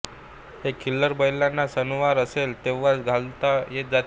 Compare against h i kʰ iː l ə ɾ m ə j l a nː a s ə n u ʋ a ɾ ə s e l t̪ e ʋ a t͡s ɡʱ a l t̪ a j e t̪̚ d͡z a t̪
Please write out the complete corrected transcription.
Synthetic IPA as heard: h e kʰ i l ə ɾ b ə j l a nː a s ə n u ʋ a ɾ ə s e l t̪ e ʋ a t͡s ɡʱ a l t̪ a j e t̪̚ d͡z a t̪